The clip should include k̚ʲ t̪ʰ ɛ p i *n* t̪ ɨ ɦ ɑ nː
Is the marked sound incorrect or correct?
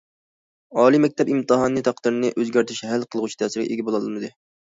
incorrect